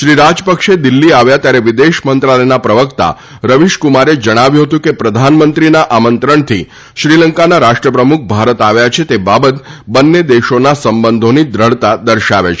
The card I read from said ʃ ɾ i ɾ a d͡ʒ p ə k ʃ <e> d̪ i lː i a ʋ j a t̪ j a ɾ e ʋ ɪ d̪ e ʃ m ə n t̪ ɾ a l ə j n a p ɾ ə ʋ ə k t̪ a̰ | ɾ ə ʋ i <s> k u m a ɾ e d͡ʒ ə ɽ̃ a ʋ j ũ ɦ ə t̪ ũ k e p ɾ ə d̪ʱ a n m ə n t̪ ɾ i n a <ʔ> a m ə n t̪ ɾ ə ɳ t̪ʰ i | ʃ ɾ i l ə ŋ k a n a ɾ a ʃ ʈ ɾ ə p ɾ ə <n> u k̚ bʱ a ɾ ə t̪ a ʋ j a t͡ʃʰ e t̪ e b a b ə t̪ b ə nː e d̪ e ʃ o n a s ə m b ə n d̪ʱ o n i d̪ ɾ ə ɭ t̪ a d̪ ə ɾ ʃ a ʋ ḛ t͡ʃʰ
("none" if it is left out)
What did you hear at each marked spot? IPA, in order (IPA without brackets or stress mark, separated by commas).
e, ʃ, ʔ, m